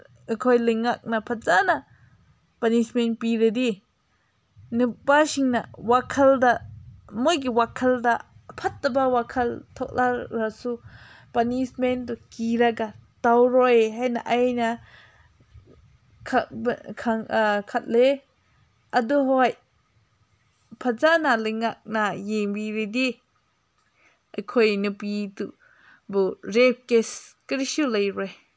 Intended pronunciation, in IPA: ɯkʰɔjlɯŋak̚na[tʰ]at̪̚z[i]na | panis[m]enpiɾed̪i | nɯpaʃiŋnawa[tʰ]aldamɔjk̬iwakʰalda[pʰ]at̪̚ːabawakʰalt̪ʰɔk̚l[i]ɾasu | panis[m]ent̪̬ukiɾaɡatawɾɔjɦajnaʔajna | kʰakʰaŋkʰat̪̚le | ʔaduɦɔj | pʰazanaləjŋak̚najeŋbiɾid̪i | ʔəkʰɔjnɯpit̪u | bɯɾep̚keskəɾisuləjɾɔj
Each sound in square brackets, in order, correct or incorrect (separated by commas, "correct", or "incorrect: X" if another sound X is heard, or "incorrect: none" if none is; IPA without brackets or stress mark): incorrect: pʰ, incorrect: a, correct, incorrect: kʰ, correct, incorrect: a, correct